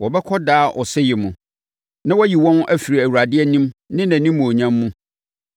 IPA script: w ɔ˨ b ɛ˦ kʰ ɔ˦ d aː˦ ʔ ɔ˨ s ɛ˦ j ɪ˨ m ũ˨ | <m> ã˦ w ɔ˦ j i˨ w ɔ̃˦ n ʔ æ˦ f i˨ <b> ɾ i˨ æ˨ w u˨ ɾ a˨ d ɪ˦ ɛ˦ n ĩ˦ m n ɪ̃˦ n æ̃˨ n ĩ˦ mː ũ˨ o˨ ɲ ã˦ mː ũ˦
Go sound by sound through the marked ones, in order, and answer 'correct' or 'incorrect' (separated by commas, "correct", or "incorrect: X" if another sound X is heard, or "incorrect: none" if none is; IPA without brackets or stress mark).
incorrect: n, incorrect: none